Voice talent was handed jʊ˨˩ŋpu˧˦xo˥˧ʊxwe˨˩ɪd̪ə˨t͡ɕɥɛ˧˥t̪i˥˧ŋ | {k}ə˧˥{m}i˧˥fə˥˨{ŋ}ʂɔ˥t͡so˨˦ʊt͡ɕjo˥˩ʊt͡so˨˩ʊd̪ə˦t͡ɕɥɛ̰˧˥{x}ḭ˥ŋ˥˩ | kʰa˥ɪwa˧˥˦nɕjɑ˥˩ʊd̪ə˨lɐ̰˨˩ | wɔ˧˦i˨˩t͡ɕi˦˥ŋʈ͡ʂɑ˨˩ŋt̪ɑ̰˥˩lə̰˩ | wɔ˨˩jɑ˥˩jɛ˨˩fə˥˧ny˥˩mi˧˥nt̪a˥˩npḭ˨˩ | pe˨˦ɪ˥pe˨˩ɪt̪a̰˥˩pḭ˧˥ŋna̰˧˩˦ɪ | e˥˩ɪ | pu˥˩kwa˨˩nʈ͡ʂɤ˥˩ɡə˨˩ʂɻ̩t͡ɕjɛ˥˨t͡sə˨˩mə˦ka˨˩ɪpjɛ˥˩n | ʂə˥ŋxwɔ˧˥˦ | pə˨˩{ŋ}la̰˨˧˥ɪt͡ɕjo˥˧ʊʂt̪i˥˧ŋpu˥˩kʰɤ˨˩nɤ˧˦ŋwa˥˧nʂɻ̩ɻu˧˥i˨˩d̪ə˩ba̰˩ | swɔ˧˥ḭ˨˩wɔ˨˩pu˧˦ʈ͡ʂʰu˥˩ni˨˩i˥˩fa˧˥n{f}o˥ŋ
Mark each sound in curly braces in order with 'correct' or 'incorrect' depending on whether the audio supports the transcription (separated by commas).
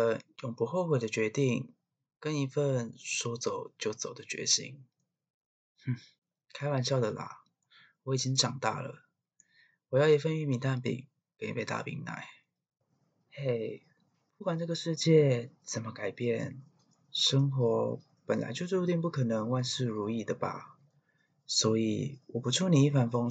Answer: correct, incorrect, incorrect, incorrect, incorrect, correct